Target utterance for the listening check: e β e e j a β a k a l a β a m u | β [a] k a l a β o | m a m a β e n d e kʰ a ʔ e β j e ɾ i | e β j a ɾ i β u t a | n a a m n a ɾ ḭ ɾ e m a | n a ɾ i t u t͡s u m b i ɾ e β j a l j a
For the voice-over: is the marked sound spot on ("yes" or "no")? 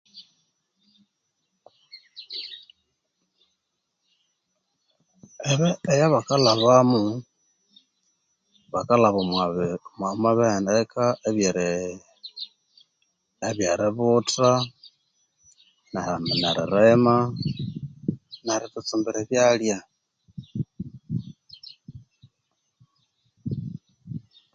yes